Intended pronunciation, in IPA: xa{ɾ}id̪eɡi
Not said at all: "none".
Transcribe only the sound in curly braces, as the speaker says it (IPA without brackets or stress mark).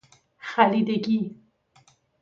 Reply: l